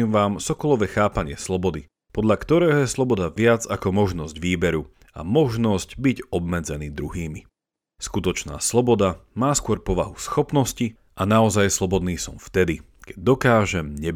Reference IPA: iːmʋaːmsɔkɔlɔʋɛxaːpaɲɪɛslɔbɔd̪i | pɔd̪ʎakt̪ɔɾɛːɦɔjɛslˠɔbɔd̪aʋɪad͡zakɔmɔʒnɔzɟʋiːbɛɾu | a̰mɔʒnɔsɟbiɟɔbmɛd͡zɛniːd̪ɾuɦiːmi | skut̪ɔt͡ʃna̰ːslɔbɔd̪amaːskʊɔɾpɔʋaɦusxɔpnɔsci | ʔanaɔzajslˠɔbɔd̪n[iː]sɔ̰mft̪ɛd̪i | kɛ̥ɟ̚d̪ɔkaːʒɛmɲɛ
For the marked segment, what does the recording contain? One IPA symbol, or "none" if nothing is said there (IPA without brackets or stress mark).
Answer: iː